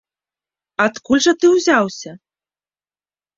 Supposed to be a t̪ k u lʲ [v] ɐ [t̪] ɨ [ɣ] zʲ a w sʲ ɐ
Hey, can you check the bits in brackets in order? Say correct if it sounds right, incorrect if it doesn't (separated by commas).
incorrect, correct, incorrect